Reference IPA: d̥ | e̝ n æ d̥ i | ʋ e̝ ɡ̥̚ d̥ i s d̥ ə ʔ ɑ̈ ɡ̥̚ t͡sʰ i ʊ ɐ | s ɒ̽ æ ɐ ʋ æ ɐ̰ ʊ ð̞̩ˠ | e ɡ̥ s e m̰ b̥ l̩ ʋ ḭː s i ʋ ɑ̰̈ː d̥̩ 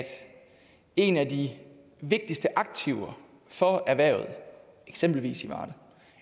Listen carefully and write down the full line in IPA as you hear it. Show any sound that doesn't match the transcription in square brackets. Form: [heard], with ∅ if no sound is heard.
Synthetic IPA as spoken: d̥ | e̝ n æ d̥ i | ʋ e̝ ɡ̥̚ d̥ i s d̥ ə ʔ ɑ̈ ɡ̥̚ t͡sʰ i ʊ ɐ | [f] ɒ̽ æ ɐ ʋ æ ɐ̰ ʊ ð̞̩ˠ | e ɡ̥ s e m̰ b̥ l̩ ʋ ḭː s i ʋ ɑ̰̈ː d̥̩